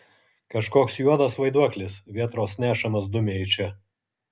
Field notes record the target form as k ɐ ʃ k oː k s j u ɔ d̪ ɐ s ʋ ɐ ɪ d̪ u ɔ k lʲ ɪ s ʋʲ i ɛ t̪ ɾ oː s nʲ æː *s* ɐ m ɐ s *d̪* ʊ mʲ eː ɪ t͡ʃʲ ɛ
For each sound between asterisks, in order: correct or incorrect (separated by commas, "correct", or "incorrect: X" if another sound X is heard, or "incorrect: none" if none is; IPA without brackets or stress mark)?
incorrect: ʃ, correct